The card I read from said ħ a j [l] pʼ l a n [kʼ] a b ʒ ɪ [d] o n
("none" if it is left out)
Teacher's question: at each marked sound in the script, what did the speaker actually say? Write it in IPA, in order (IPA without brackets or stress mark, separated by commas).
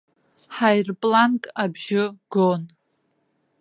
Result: r, kʼ, ɡ